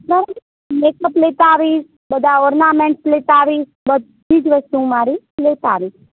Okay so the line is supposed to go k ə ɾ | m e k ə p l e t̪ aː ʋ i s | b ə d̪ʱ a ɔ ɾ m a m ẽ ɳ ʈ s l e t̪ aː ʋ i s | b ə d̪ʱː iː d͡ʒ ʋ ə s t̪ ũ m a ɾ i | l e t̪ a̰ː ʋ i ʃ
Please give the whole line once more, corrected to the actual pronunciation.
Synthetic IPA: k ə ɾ | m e k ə p l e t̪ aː ʋ i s | b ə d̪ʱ a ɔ ɾ n a m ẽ ɳ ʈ s l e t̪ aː ʋ i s | b ə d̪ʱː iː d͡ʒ ʋ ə s t̪ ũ m a ɾ i | l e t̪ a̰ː ʋ i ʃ

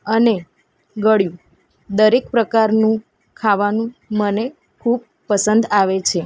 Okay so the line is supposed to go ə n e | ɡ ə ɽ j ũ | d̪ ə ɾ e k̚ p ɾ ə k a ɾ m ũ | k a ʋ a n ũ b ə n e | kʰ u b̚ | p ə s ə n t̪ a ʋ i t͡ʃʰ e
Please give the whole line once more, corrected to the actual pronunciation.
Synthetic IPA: ə n e | ɡ ə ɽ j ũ | d̪ ə ɾ e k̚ p ɾ ə k a ɾ n ũ | kʰ a ʋ a n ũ m ə n e | kʰ u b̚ | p ə s ə n d̪ a ʋ e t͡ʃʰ e

